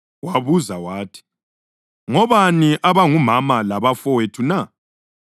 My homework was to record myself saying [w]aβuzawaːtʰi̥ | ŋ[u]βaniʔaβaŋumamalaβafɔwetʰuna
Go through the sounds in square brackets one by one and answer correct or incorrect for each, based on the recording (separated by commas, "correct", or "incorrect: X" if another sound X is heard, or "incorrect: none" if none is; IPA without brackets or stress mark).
correct, incorrect: ɔ